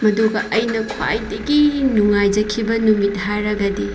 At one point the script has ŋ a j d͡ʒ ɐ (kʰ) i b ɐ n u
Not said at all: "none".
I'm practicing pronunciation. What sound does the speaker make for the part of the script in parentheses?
kʰ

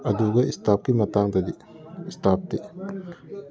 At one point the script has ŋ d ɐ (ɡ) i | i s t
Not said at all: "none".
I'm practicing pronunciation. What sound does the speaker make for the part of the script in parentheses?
d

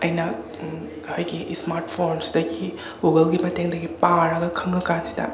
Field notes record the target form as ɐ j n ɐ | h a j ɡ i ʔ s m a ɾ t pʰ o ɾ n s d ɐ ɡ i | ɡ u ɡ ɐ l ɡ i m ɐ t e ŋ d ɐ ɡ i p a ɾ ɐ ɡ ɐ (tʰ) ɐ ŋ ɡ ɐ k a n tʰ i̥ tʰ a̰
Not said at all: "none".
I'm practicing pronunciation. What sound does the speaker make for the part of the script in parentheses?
kʰ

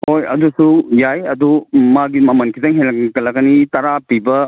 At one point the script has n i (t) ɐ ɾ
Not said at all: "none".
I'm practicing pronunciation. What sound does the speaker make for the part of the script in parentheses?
t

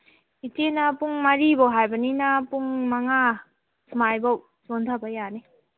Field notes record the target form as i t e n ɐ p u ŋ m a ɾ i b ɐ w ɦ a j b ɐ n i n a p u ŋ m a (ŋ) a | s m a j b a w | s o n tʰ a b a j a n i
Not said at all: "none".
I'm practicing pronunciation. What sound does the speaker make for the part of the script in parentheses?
ŋ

